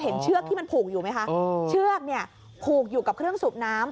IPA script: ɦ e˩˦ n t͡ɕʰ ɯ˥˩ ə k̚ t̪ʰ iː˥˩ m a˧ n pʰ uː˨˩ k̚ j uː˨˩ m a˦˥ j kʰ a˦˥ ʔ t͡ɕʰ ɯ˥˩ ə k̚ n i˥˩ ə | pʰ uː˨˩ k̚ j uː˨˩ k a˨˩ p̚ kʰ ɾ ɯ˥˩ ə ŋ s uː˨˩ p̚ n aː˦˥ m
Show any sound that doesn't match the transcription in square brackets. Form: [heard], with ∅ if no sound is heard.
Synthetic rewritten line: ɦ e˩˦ n t͡ɕʰ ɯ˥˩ ə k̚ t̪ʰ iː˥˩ m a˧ n pʰ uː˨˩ k̚ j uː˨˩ m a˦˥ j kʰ a˦˥ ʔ t͡ɕʰ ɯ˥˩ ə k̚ n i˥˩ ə | pʰ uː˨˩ k̚ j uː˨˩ k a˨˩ p̚ kʰ ɾ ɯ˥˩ ə ŋ s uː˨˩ p̚ n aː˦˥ m

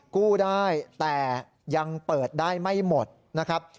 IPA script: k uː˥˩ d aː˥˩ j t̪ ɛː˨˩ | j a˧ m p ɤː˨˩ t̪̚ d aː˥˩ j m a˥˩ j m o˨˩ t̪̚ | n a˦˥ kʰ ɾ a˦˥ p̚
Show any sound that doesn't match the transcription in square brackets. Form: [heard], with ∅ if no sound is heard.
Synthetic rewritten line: k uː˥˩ d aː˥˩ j t̪ ɛː˨˩ | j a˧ [ŋ] p ɤː˨˩ t̪̚ d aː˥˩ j m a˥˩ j m o˨˩ t̪̚ | n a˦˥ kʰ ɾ a˦˥ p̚

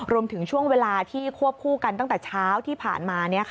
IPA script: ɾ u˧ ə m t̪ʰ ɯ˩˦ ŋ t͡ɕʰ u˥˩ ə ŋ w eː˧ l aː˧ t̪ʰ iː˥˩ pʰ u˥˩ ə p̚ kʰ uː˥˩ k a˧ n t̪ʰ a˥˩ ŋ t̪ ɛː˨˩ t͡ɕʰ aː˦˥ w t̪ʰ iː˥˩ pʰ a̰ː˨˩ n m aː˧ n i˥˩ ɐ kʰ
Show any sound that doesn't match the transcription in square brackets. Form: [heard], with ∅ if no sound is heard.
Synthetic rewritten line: ɾ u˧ ə m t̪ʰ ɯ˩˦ ŋ t͡ɕʰ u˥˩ ə ŋ w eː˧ l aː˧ t̪ʰ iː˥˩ [kʰ] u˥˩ ə p̚ kʰ uː˥˩ k a˧ n [t̪] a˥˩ ŋ t̪ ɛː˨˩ t͡ɕʰ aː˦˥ w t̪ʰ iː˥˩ pʰ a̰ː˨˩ n m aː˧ n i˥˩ ɐ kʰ

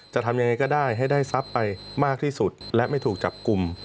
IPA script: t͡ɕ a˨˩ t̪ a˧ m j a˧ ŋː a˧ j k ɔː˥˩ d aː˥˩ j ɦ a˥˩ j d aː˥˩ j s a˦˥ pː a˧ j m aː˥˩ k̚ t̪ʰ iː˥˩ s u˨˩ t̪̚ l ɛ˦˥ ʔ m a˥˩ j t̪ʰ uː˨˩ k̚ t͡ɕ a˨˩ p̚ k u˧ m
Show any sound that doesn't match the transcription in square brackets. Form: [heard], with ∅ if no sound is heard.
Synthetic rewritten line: t͡ɕ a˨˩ [t̪ʰ] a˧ m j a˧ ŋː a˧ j k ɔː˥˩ d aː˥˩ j ɦ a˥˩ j d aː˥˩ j s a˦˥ pː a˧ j m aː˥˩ k̚ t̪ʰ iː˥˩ s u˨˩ t̪̚ l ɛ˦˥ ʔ m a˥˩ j t̪ʰ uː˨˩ k̚ t͡ɕ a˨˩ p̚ k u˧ m

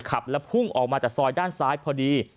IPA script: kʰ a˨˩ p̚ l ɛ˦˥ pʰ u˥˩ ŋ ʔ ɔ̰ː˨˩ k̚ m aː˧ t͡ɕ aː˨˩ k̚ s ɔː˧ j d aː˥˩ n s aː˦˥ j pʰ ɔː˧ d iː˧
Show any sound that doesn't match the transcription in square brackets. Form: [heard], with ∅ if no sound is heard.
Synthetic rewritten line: kʰ a˨˩ p̚ l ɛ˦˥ pʰ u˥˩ ŋ ʔ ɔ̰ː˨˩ k̚ m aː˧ t͡ɕ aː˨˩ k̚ s ɔː˧ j d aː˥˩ n s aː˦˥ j pʰ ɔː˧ d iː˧

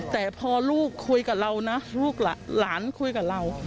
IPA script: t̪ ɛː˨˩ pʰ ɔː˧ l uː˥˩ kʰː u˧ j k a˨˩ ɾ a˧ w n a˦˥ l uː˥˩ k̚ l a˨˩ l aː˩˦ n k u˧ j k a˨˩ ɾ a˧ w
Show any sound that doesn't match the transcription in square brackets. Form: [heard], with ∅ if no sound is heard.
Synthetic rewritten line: t̪ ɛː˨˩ pʰ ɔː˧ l uː˥˩ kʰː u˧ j k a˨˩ ɾ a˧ w n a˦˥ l uː˥˩ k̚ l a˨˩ l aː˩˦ n [kʰ] u˧ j k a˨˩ ɾ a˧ w

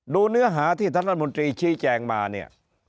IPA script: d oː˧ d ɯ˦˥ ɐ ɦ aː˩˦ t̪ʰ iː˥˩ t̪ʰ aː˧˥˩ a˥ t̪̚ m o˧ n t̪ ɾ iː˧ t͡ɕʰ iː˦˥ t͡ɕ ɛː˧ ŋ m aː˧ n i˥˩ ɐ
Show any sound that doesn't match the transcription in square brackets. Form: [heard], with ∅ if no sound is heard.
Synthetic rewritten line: d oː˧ [n] ɯ˦˥ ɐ ɦ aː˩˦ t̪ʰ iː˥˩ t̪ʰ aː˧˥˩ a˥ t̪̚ m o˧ n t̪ ɾ iː˧ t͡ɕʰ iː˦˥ t͡ɕ ɛː˧ ŋ m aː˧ n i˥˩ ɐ

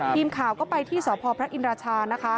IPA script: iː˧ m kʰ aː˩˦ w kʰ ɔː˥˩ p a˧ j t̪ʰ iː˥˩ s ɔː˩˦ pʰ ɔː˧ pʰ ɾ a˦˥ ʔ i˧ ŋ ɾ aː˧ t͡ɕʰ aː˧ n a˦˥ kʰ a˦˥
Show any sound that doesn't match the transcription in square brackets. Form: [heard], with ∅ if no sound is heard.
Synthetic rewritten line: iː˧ m kʰ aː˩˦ w [k] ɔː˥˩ p a˧ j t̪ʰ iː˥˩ s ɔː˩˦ pʰ ɔː˧ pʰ ɾ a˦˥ ʔ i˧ [n] ɾ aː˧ t͡ɕʰ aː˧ n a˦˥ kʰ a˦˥

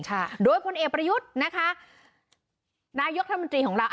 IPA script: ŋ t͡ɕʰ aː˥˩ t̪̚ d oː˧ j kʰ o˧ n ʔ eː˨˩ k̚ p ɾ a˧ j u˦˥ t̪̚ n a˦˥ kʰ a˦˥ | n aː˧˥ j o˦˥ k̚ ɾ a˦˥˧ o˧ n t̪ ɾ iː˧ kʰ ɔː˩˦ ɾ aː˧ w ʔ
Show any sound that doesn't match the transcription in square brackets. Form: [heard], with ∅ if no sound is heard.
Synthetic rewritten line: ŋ t͡ɕʰ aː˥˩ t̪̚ d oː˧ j [pʰ] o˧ n ʔ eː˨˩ k̚ p ɾ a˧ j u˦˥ t̪̚ n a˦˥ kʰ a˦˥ | n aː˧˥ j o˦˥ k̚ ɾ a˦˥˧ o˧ n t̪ ɾ iː˧ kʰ ɔː˩˦ ɾ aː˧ w ʔ

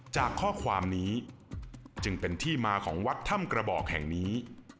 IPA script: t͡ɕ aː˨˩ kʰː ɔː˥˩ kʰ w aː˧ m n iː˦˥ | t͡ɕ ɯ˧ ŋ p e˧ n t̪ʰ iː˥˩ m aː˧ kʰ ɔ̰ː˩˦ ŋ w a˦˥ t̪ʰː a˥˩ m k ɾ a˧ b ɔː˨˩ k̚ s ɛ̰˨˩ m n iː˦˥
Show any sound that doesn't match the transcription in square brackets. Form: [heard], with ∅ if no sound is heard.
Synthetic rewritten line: t͡ɕ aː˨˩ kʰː ɔː˥˩ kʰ w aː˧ m n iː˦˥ | t͡ɕ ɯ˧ ŋ p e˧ n t̪ʰ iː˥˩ m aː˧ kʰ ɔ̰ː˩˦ ŋ w a˦˥ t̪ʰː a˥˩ m k ɾ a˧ b ɔː˨˩ k̚ [h] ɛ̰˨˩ [ŋ] n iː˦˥

